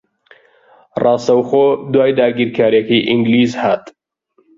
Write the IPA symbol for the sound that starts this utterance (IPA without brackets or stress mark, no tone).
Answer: r